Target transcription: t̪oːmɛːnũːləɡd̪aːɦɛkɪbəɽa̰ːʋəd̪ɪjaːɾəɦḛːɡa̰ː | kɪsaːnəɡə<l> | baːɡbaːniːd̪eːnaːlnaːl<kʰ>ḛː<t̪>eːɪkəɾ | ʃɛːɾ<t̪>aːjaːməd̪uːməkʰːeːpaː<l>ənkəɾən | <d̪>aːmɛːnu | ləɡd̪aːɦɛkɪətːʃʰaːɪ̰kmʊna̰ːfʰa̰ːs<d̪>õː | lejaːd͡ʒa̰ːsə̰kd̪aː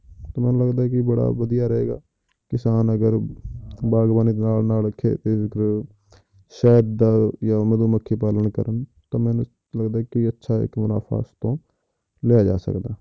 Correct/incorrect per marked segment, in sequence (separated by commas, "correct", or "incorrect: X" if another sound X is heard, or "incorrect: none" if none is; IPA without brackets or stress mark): incorrect: ɾ, correct, correct, incorrect: d̪, correct, incorrect: t̪, incorrect: t̪